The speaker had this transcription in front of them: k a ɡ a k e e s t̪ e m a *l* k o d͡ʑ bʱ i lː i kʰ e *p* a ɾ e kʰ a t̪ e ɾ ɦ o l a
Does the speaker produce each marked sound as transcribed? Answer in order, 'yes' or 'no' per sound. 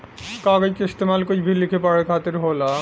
yes, yes

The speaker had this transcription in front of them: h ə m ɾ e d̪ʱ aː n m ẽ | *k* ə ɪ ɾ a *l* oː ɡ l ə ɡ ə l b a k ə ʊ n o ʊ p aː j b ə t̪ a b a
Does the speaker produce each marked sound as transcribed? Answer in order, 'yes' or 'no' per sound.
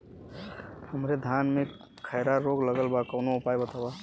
no, no

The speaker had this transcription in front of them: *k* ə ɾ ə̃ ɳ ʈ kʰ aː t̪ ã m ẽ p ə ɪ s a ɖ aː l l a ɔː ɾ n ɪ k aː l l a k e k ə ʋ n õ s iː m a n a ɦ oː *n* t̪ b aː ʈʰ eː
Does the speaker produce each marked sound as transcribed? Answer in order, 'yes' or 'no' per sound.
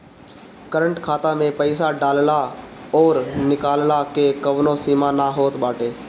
yes, no

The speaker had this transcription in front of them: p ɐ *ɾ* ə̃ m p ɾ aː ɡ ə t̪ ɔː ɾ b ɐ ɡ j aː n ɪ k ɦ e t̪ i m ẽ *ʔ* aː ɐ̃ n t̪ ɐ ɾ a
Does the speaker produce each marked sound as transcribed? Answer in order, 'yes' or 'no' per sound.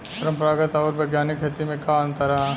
yes, no

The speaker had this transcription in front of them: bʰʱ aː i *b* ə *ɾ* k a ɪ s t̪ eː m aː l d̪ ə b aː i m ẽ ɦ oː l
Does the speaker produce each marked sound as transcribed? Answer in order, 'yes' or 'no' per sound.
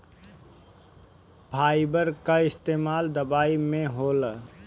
yes, yes

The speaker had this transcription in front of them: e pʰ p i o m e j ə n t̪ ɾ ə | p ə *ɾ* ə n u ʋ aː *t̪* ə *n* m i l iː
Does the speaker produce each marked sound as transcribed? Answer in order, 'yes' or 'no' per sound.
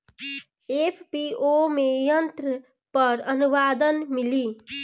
yes, no, yes

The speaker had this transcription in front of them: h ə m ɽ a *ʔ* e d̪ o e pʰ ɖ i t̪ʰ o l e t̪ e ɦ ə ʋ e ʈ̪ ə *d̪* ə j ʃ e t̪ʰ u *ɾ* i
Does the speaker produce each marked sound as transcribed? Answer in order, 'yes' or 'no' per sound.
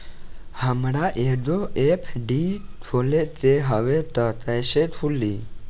yes, no, no

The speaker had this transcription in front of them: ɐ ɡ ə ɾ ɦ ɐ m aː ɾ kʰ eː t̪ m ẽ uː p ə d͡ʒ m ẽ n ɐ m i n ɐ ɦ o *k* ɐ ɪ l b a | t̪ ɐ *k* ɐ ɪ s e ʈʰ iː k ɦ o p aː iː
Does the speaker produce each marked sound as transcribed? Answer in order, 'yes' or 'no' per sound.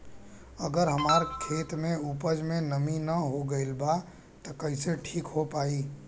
no, yes

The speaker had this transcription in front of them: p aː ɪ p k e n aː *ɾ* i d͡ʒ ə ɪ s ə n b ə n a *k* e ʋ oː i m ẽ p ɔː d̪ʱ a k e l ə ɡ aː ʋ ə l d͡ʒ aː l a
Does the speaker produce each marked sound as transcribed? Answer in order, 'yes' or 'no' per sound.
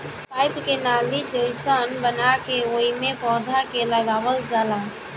no, yes

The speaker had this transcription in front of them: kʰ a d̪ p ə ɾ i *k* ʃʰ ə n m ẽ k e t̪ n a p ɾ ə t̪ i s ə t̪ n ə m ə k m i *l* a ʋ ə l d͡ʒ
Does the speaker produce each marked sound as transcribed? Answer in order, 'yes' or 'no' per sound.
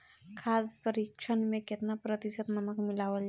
yes, yes

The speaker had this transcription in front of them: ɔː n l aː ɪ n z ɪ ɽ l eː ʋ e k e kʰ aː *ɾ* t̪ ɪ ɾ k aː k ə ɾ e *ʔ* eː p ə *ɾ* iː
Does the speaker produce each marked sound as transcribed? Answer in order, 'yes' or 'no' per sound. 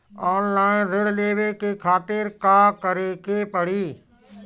no, no, no

